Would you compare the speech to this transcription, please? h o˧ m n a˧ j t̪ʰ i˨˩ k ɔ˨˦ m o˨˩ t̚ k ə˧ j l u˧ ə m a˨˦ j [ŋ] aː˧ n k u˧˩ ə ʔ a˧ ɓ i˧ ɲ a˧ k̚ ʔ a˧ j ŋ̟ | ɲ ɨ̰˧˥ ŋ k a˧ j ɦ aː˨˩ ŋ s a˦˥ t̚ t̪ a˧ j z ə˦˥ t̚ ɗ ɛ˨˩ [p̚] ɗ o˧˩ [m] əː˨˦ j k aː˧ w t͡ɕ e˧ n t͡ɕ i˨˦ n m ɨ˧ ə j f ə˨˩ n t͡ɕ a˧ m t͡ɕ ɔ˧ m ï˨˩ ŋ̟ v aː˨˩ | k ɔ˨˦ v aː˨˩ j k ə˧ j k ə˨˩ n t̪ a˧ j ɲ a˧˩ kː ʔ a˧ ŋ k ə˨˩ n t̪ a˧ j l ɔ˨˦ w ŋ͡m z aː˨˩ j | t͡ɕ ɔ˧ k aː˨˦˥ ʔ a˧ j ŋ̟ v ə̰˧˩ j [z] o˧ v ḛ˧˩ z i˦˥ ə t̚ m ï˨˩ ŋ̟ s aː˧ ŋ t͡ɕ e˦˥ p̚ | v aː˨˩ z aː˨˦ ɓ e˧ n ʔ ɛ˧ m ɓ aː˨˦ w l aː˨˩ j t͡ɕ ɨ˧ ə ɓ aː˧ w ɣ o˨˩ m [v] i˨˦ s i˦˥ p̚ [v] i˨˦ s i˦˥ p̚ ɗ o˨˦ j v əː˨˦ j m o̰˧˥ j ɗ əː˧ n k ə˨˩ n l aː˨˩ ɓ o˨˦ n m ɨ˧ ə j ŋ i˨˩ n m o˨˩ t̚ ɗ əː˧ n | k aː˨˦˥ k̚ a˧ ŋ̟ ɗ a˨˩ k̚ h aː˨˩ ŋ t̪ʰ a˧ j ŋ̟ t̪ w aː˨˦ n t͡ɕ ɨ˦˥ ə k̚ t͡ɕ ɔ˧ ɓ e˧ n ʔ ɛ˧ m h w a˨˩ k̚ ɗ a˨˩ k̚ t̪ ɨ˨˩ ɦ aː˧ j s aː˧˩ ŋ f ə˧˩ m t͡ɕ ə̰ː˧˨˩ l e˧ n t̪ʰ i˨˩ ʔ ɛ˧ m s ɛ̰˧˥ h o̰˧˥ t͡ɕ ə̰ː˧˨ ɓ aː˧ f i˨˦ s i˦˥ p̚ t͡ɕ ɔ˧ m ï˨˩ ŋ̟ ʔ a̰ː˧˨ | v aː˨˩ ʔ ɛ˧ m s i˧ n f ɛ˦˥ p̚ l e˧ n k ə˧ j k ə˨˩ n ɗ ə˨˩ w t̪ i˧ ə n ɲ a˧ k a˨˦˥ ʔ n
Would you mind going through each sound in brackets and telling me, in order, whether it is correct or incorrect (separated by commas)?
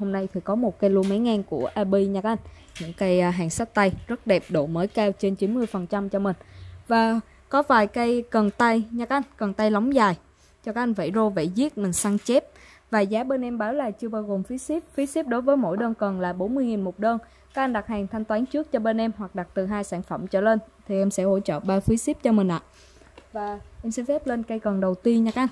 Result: correct, correct, correct, correct, incorrect, incorrect